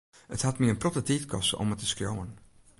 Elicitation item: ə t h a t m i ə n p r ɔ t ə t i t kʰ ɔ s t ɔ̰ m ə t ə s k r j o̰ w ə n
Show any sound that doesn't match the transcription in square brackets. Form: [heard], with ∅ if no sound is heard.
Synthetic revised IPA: ə t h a t m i ə n p r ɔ t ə t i t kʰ ɔ s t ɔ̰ m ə t ə s k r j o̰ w ə n